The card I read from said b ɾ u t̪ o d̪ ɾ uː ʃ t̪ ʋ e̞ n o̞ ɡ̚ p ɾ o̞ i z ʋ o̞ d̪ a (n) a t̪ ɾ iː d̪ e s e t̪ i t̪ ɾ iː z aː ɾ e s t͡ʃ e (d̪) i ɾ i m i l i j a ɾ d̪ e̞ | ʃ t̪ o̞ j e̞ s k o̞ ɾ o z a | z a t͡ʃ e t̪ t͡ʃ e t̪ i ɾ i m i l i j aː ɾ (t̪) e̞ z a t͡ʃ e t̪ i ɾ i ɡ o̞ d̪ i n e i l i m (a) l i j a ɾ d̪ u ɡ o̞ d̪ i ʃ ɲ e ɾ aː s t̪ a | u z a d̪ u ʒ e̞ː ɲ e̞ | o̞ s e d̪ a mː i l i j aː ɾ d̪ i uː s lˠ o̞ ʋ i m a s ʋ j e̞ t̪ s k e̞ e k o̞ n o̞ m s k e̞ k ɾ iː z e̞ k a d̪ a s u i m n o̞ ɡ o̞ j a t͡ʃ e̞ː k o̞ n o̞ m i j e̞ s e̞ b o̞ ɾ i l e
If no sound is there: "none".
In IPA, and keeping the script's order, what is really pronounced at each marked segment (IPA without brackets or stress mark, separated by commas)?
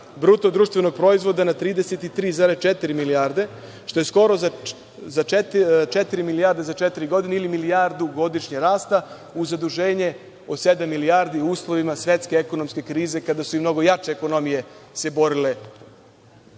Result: n, t̪, d̪, i